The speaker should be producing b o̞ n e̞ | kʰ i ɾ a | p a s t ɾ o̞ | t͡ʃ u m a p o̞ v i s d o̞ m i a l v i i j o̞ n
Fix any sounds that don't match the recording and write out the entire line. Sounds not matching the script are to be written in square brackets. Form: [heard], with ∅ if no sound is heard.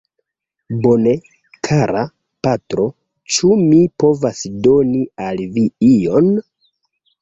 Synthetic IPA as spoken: b o̞ n e̞ | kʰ [a] ɾ a | p a [∅] t ɾ o̞ | t͡ʃ u m [i] p o̞ v [a] s d o̞ [n] i a l v i i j o̞ n